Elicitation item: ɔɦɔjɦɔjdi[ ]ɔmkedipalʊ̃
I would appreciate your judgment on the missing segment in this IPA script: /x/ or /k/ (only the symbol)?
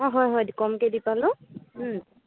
k